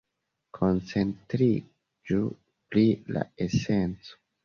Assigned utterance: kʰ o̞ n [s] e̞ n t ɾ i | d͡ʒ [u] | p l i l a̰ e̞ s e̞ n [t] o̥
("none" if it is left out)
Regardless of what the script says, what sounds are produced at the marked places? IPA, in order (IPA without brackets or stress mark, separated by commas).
t͡s, u, t͡s